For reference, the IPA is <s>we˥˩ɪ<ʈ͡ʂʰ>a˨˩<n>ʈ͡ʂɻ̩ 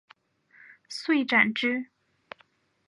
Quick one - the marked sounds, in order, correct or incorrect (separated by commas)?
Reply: correct, incorrect, correct